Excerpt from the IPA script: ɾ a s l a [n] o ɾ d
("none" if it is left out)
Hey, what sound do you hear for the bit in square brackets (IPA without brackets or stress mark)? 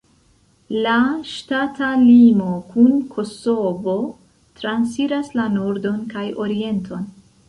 n